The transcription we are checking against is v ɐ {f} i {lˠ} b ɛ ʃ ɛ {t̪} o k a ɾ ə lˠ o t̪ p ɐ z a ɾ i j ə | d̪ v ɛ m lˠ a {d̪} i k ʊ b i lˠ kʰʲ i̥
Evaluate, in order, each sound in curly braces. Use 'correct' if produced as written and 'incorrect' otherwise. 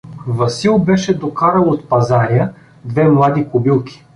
incorrect: s, correct, incorrect: d̪, correct

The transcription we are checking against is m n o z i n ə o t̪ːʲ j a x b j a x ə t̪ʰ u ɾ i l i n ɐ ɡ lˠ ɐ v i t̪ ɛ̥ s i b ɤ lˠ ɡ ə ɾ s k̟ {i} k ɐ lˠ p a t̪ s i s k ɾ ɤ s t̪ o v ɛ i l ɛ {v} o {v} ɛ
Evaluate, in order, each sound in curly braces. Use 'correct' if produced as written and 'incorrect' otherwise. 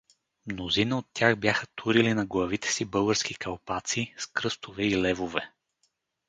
correct, correct, correct

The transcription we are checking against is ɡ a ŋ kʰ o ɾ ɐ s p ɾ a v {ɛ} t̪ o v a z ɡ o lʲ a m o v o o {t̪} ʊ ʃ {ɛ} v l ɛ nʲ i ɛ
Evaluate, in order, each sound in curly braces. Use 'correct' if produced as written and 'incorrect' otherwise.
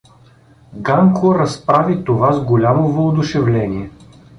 incorrect: i, incorrect: d̪, correct

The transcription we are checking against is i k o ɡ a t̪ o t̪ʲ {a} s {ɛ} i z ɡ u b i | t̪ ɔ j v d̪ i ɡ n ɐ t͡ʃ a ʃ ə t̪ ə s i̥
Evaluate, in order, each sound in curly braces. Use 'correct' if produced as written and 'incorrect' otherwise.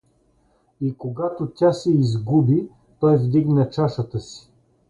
correct, correct

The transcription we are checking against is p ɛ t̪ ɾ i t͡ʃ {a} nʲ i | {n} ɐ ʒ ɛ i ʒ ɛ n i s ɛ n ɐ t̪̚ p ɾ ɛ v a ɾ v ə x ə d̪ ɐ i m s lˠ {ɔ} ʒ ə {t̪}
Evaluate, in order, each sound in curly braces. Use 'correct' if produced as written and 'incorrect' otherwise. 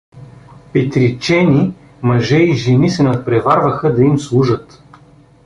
incorrect: ɛ, incorrect: m, incorrect: u, correct

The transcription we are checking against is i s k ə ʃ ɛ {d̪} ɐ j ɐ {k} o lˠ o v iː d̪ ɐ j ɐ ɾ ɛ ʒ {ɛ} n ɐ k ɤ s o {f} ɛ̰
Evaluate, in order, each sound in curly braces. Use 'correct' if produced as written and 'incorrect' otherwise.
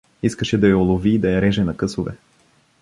correct, incorrect: none, correct, incorrect: v

